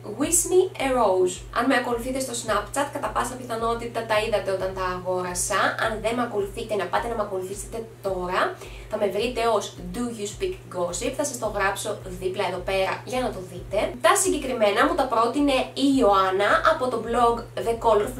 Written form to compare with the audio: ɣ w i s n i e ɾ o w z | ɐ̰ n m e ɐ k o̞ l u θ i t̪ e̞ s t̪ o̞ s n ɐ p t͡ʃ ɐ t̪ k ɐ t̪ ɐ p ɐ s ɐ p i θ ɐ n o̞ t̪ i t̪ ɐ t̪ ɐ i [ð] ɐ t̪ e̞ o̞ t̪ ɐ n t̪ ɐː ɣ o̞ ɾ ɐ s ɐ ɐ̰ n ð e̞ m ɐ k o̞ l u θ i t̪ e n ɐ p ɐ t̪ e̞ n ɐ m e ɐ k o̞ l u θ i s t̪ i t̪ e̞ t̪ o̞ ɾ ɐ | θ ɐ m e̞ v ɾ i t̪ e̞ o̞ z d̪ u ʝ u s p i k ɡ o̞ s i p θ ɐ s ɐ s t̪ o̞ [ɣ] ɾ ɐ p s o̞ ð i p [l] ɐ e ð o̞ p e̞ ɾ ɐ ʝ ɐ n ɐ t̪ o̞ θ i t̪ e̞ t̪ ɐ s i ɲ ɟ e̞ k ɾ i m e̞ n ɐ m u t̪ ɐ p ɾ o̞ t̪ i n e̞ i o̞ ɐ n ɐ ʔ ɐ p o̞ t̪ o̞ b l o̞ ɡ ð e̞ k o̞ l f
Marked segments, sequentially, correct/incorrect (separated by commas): correct, correct, correct